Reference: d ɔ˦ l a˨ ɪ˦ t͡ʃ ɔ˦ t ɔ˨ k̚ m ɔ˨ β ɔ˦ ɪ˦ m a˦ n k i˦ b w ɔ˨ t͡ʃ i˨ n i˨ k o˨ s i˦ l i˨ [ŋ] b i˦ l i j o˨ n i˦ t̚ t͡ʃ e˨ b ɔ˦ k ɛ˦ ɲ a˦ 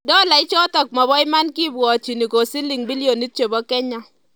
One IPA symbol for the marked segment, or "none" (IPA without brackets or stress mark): ŋ